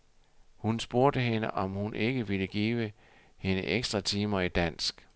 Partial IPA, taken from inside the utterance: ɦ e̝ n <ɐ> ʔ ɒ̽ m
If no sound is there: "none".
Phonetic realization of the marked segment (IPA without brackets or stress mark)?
ə